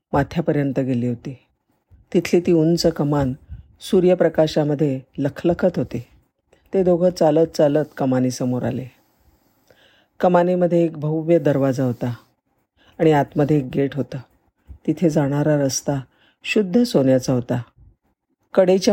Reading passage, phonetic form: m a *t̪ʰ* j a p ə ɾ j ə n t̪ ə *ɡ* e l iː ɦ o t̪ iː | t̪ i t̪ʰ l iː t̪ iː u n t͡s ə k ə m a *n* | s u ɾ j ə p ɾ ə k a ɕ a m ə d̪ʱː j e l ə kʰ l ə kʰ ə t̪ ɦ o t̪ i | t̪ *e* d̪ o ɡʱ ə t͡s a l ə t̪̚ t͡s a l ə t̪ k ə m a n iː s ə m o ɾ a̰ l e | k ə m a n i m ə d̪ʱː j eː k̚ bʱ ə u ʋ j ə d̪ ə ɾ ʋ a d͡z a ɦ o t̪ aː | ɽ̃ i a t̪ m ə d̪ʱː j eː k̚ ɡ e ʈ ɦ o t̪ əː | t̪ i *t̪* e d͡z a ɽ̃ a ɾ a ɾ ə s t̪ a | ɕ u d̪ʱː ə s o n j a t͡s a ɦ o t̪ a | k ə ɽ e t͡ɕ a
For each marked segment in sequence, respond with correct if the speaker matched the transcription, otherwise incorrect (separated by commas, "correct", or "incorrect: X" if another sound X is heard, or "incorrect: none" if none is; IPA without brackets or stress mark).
correct, correct, correct, correct, incorrect: t̪ʰ